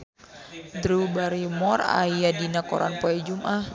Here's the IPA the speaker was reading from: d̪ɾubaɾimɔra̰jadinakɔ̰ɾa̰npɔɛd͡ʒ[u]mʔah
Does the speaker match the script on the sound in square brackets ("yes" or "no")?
yes